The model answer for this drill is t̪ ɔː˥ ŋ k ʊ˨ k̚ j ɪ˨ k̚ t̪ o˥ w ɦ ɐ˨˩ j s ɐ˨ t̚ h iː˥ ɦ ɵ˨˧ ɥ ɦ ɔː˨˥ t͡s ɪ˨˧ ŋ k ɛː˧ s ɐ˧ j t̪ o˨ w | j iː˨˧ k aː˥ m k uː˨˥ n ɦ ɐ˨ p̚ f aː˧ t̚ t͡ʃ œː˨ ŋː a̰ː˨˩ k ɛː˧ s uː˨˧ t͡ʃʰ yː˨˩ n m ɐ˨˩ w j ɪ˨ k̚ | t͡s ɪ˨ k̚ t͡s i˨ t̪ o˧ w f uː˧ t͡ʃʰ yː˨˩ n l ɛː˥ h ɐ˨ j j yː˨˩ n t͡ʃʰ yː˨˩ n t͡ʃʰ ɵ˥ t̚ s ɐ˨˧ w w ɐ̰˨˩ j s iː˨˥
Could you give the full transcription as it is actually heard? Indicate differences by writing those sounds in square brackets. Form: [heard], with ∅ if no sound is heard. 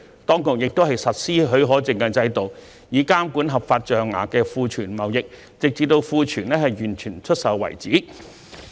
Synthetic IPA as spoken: t̪ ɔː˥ ŋ k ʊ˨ k̚ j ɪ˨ k̚ t̪ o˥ w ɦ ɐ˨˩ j s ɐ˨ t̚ [s] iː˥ ɦ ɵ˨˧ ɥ ɦ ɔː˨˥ t͡s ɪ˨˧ ŋ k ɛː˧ [t͡s] ɐ˧ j t̪ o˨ w | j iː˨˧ k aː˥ m k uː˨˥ n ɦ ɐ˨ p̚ f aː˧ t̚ t͡ʃ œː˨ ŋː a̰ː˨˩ k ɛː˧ [f] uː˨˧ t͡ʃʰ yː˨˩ n m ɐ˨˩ w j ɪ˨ k̚ | t͡s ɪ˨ k̚ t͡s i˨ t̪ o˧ w f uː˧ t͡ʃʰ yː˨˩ n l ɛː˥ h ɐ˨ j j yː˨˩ n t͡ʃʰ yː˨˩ n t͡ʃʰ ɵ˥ t̚ s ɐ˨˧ w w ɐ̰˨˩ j [t͡s] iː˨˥

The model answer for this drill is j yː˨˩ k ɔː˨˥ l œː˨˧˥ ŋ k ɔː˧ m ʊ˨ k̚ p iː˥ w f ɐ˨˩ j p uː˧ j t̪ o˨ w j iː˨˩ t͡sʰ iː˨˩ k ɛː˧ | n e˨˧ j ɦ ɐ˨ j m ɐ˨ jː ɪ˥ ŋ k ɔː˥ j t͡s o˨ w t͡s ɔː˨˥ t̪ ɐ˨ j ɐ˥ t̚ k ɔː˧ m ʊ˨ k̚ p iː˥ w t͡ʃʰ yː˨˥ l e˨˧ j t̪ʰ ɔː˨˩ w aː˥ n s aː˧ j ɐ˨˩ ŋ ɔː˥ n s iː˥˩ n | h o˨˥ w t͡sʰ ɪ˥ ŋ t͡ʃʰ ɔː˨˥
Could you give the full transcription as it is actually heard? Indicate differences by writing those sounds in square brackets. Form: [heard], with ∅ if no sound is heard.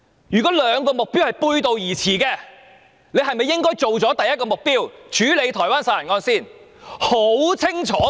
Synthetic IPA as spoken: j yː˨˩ k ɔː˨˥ l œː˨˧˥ ŋ k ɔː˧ m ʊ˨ k̚ p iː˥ w [h] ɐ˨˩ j p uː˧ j t̪ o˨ w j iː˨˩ t͡sʰ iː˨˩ k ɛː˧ | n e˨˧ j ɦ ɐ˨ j m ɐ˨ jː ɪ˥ ŋ k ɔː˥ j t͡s o˨ w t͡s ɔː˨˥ t̪ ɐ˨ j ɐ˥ t̚ k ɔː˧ m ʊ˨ k̚ p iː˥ w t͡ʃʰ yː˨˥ l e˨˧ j t̪ʰ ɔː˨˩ w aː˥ n s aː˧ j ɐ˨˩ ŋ [ɔː˧] n s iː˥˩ n | h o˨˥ w t͡sʰ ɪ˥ ŋ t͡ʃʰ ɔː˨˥

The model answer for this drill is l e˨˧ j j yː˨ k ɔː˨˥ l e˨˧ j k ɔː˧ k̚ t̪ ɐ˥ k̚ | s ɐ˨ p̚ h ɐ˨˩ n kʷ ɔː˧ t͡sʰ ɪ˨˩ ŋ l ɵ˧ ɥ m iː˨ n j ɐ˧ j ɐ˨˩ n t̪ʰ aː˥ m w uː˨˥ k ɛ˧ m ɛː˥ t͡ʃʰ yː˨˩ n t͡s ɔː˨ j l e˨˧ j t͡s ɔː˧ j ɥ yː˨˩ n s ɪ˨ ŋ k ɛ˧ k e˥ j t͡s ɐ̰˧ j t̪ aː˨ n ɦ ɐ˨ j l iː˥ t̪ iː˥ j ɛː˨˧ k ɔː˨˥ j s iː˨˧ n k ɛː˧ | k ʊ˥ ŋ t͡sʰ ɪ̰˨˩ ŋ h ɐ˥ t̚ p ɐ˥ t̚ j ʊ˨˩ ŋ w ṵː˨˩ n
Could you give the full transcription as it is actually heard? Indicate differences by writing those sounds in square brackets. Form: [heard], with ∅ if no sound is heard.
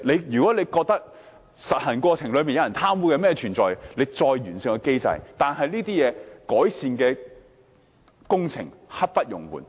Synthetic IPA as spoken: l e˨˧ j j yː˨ k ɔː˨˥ l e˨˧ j k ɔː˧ k̚ t̪ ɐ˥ k̚ | s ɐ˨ [t̚] h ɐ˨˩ n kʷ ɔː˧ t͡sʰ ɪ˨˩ ŋ l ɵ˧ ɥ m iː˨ n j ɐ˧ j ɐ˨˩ n t̪ʰ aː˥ m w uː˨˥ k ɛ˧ m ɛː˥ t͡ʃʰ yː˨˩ n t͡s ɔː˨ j l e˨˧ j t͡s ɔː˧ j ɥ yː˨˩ n s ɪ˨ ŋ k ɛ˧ k e˥ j t͡s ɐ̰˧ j t̪ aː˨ n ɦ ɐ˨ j l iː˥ t̪ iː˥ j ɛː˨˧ k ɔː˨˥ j s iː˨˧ n k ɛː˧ | k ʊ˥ ŋ t͡sʰ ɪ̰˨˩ ŋ h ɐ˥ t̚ p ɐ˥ t̚ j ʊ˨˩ ŋ w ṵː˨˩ n

